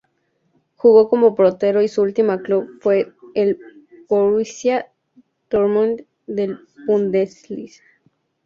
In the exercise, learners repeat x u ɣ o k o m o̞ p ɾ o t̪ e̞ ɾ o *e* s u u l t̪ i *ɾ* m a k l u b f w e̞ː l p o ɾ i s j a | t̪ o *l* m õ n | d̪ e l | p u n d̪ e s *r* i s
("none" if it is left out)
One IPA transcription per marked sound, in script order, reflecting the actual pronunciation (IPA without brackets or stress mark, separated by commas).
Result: i, none, ɾ, l